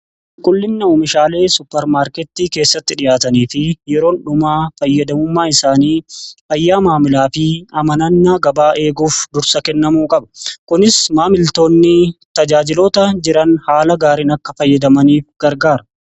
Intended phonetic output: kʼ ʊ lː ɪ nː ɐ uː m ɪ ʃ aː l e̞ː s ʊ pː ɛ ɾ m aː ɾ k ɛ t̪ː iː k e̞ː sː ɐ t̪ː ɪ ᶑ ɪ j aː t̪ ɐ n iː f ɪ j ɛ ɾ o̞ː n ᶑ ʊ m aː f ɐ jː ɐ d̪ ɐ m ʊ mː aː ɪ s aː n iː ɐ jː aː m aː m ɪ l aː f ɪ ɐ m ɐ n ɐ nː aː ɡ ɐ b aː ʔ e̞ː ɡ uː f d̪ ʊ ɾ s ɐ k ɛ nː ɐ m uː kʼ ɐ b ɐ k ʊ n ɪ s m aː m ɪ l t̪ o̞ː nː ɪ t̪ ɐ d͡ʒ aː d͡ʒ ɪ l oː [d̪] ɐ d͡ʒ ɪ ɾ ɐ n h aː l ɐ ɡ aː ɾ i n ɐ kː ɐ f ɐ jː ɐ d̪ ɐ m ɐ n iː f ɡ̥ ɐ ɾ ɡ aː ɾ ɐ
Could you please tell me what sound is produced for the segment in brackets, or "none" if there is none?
t̪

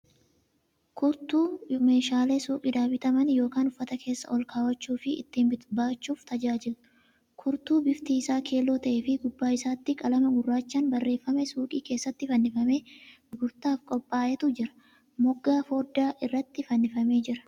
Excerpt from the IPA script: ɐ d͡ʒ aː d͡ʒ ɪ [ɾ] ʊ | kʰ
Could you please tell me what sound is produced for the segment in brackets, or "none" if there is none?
l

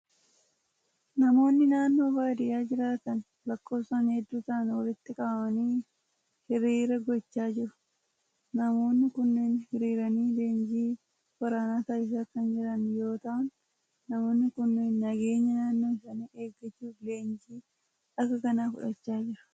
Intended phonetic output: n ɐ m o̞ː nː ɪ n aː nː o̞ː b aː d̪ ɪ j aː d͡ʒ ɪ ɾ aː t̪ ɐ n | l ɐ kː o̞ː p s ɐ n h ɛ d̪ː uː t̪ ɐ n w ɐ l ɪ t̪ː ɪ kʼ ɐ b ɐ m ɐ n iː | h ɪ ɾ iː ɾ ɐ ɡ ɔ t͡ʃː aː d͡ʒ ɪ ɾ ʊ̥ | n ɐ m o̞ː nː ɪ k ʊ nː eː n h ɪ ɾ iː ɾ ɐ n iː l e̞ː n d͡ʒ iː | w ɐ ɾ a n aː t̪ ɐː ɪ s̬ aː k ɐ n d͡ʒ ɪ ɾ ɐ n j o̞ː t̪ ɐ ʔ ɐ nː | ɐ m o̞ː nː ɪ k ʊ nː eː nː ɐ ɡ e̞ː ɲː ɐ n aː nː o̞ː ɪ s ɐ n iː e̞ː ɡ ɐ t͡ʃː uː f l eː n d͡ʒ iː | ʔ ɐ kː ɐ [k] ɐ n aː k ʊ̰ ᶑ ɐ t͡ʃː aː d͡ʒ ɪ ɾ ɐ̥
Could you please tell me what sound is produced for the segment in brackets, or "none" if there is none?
k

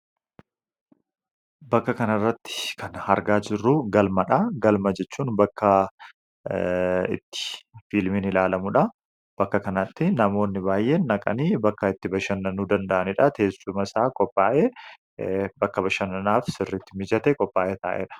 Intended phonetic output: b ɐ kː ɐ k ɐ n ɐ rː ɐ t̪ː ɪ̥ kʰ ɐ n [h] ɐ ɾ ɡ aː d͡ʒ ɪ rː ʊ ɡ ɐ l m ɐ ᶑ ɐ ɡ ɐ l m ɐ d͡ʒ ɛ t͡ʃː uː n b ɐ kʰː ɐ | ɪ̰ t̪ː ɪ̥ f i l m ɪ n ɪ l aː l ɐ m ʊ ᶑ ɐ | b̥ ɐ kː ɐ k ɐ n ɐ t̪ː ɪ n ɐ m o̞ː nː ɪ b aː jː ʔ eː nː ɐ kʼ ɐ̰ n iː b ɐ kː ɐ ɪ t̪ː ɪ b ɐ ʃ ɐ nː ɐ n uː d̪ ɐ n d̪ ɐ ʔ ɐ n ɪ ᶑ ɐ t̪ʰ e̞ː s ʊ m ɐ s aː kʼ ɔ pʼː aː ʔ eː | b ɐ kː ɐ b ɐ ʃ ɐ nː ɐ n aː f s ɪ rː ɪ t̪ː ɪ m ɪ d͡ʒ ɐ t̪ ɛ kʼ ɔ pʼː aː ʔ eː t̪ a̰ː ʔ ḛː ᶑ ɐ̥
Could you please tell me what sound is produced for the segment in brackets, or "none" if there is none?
h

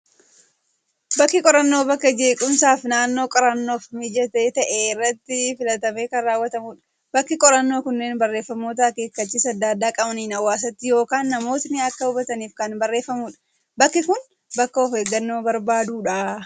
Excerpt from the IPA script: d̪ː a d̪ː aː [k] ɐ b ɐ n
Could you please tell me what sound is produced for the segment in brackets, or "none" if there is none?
kʼ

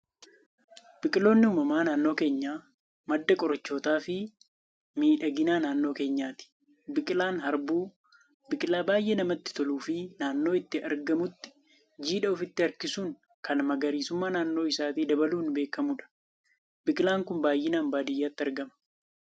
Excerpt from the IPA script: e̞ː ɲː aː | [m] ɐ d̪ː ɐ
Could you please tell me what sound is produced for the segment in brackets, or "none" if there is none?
m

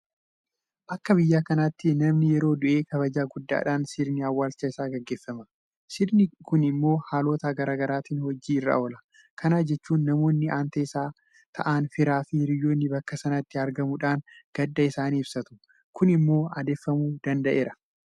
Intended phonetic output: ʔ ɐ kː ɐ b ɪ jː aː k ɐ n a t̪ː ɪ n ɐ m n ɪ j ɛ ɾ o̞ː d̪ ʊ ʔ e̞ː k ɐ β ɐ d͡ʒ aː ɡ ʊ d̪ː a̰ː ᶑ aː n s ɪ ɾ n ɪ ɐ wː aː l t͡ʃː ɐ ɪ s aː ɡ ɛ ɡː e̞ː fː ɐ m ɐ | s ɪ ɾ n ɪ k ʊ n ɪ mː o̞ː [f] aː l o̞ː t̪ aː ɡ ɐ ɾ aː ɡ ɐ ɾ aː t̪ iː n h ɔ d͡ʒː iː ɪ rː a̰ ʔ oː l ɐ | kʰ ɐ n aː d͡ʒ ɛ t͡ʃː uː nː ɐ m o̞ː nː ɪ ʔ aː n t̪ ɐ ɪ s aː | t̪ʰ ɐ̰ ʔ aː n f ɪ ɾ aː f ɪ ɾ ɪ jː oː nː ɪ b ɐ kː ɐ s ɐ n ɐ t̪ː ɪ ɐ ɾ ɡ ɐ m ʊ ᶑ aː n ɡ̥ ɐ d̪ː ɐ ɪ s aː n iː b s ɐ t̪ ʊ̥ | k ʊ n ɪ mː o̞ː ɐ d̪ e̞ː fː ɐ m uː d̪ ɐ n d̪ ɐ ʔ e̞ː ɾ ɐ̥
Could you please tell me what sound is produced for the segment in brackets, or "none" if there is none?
h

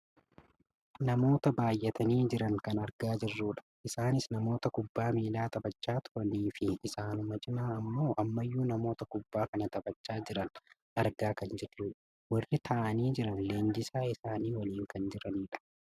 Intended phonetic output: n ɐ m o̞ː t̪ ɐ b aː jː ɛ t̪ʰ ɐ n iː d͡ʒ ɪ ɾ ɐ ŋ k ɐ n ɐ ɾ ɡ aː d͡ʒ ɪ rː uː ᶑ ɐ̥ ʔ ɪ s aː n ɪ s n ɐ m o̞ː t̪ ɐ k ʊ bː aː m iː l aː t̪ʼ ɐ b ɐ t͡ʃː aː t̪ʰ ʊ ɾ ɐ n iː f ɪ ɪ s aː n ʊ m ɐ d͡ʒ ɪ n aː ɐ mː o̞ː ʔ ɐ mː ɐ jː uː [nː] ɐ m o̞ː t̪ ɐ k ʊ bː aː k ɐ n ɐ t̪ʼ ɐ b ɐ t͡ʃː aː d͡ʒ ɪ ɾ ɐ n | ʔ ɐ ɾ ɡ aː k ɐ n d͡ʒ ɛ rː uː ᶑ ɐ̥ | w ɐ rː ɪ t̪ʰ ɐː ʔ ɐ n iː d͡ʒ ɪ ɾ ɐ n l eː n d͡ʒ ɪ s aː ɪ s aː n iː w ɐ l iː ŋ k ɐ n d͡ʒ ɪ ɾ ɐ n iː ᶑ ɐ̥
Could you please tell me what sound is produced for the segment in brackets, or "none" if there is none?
n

